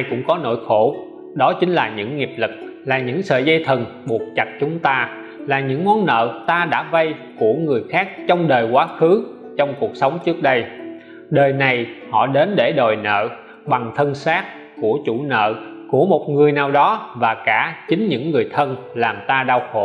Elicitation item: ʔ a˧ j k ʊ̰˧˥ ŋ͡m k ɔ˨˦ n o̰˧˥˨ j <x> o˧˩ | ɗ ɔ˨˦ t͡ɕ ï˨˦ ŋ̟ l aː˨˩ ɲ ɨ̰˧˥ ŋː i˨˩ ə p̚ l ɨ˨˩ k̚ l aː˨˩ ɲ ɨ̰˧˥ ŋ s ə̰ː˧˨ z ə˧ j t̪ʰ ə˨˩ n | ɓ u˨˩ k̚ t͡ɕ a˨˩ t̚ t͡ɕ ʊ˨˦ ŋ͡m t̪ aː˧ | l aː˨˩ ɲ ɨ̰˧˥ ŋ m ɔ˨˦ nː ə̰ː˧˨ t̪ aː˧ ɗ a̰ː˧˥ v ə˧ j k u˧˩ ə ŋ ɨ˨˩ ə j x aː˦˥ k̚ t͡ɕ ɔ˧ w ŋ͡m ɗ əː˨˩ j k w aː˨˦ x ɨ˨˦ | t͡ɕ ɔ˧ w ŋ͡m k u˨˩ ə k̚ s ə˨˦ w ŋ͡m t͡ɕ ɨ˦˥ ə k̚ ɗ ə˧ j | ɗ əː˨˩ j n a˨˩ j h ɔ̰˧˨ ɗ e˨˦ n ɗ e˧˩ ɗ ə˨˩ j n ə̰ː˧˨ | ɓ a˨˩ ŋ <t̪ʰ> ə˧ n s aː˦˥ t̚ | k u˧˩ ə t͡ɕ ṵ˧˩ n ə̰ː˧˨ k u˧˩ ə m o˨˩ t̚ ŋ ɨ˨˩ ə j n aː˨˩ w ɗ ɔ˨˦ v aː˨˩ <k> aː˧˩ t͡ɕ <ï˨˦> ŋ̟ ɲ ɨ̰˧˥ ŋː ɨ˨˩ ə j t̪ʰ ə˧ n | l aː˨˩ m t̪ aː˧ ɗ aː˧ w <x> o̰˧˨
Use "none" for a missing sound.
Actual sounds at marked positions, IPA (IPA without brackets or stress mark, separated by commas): x, t̪ʰ, k, ï˨˦, x